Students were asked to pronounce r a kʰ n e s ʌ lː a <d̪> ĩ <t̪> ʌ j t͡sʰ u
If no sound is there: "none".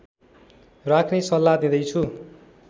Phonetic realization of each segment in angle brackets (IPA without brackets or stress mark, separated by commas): d̪, d̪